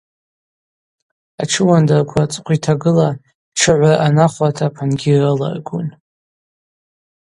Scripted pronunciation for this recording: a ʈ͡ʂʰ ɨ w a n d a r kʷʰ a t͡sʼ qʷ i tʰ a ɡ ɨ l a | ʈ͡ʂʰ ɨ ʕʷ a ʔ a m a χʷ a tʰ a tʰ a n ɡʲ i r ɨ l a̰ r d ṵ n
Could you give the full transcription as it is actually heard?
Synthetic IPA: a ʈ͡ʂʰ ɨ w a n d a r kʷʰ a t͡sʼ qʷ i tʰ a ɡ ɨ l a | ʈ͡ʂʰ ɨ ʕʷ a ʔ a n a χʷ a tʰ a pʰ a n ɡʲ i r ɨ l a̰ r ɡ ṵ n

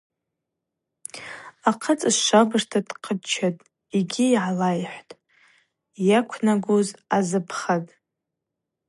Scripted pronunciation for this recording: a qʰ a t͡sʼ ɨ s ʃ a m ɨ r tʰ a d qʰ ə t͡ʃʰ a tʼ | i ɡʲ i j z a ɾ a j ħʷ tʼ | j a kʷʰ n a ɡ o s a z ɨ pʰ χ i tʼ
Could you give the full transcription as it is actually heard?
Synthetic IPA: a qʰ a t͡sʼ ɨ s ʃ a b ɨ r tʰ a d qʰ ə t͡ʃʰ a tʼ | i ɡʲ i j ʕ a l a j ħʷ tʼ | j a kʷʰ n a ɡ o z a z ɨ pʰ χ a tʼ

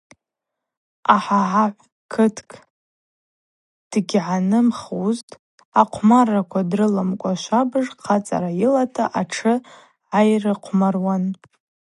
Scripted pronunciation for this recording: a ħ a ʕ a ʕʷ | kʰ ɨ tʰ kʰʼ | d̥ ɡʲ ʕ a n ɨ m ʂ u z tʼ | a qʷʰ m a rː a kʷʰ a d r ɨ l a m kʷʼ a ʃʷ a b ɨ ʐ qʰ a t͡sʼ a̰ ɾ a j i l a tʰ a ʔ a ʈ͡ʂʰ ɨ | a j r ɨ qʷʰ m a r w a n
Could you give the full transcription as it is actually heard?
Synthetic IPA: a ħ a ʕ a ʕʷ | kʰ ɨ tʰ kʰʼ | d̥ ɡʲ ʕ a n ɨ m χ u z tʼ | a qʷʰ m a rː a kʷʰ a d r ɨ l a m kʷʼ a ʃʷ a b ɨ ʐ qʰ a t͡sʼ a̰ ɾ a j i l a tʰ a ʔ a ʈ͡ʂʰ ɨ | a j r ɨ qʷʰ m a r w a n

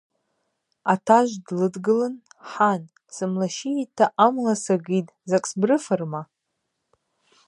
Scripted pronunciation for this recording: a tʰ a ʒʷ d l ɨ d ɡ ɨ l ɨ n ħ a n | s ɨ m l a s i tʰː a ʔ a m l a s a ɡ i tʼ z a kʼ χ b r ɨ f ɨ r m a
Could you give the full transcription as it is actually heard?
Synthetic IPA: a tʰ a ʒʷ d l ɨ d ɡ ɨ l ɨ n ħ a n | s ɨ m l a ʃ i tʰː a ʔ a m l a s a ɡ i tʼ z a kʼ s b r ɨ f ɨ r m a

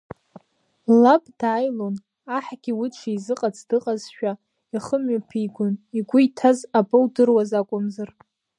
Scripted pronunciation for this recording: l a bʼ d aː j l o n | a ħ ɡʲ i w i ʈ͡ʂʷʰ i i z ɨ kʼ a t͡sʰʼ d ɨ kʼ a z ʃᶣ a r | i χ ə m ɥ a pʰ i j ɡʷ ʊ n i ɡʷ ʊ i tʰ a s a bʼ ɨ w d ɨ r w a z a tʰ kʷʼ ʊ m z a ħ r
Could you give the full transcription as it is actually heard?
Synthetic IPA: l a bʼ d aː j l o n | a ħ ɡʲ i w i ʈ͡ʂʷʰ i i z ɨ qʼ a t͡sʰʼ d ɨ qʼ a z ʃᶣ a | i χ ə m ɥ a pʰ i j ɡʷ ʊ n i ɡʷ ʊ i tʰ a z a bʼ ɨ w d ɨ r w a z a kʷʼ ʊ m z a r

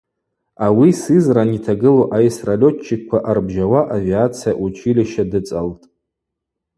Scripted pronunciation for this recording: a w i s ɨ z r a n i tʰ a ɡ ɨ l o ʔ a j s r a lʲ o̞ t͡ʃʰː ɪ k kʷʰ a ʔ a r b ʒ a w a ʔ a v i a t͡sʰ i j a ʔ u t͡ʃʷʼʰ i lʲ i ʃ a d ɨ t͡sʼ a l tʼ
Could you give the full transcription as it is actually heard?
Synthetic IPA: a w i s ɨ z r a n i tʰ a ɡ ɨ l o ʔ a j s r a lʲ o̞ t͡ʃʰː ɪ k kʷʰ a ʔ a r b ʒ a w a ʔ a v i a t͡sʰ i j a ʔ u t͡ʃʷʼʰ i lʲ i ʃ a d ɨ t͡sʼ a l tʼ

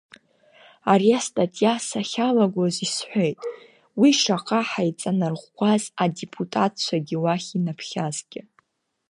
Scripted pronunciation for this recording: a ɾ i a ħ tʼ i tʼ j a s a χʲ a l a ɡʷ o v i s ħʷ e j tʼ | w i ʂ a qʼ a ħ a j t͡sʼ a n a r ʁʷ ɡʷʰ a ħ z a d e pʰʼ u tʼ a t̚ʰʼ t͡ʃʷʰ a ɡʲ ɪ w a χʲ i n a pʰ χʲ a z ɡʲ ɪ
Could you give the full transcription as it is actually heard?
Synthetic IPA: a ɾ i a s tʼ a tʼ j a s a χʲ a l a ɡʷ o z i s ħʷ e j tʼ | w i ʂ a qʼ a ħ a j t͡sʼ a n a r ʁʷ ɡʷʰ a z a d e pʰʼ u tʼ a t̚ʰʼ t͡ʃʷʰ a ɡʲ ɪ w a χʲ i n a pʰ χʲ a z ɡʲ ɪ

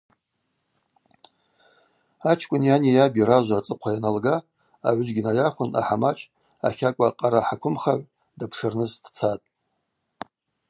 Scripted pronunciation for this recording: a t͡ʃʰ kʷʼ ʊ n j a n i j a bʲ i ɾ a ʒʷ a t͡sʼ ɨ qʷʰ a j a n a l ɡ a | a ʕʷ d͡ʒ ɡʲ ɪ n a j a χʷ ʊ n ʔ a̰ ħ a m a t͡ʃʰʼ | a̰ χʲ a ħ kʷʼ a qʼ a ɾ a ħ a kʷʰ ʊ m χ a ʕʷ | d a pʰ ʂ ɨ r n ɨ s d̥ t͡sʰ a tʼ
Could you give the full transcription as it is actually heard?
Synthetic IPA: a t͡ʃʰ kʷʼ ʊ n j a n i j a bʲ i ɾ a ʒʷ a t͡sʼ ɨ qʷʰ a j a n a l ɡ a | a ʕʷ d͡ʒ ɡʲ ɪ n a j a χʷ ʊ n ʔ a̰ ħ a m a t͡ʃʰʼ | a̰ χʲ a kʷʼ a qʼ a ɾ a ħ a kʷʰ ʊ m χ a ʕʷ | d a pʰ ʂ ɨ r n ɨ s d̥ t͡sʰ a tʼ

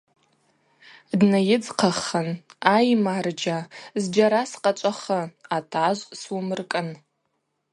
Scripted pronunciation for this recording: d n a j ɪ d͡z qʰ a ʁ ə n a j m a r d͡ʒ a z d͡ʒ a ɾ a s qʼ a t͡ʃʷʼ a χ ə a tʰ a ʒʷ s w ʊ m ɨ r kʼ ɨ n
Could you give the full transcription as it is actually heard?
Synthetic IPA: d n a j ɪ d͡z qʰ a χ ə n a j m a r d͡ʒ a z d͡ʒ a ɾ a s qʼ a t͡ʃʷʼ a χ ə a tʰ a ʒʷ s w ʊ m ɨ r kʼ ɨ n

